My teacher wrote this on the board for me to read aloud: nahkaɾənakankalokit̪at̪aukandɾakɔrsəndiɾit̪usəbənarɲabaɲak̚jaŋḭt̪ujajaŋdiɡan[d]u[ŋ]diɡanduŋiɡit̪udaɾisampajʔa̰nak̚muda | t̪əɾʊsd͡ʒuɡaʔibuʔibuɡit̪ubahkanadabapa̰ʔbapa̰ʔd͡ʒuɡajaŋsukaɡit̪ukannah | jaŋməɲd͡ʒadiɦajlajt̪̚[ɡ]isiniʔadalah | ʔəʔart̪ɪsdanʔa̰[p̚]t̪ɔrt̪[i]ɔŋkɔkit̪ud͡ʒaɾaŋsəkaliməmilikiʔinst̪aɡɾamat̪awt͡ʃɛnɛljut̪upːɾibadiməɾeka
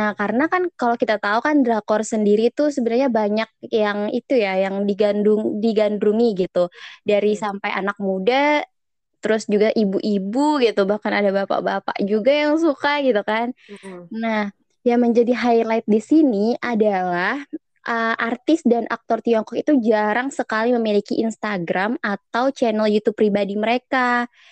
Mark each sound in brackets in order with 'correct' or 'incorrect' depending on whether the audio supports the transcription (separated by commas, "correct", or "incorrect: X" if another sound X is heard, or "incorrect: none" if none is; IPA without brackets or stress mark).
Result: correct, correct, incorrect: d, incorrect: k̚, correct